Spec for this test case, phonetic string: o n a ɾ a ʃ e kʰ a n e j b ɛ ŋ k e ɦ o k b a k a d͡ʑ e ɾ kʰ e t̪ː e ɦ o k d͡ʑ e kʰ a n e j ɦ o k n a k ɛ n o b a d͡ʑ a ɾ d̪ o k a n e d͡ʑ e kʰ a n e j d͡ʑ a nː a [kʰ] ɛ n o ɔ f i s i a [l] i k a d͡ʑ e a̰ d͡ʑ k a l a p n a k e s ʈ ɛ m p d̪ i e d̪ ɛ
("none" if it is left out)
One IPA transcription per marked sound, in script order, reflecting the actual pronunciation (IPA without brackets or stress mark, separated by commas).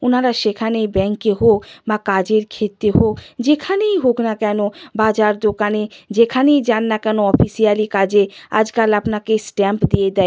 k, l